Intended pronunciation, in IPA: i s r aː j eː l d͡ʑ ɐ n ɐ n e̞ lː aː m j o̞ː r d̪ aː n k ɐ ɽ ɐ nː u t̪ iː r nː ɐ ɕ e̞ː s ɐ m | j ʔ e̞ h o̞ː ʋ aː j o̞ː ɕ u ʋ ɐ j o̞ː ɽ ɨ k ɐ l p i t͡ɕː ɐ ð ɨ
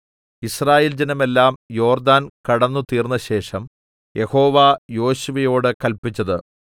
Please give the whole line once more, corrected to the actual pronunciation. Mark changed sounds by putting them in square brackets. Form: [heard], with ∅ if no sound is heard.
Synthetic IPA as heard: i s r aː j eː l d͡ʑ ɐ n ɐ [m] e̞ lː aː m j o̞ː r d̪ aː n k ɐ ɽ ɐ nː u t̪ iː r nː ɐ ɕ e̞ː [ʂ] ɐ m | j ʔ e̞ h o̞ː ʋ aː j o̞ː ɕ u ʋ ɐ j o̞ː ɽ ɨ k ɐ l p i t͡ɕː ɐ ð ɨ

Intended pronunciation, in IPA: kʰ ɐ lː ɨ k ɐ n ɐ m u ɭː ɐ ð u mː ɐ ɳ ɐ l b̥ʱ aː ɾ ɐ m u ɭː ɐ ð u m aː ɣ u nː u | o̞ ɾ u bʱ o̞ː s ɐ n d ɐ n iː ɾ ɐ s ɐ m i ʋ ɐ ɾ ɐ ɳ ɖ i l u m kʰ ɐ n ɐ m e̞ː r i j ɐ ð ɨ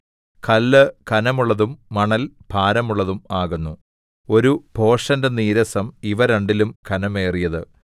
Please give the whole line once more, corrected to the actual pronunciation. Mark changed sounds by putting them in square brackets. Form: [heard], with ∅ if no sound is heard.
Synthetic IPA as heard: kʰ ɐ lː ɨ k ɐ n ɐ m u ɭː ɐ ð u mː ɐ ɳ ɐ l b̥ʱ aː ɾ ɐ m u ɭː ɐ ð u m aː ɣ u nː u | o̞ ɾ u bʱ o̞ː [ʂ] ɐ n d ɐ n iː ɾ ɐ s ɐ m i ʋ ɐ ɾ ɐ ɳ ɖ i l u m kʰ ɐ n ɐ m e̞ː r i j ɐ ð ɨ

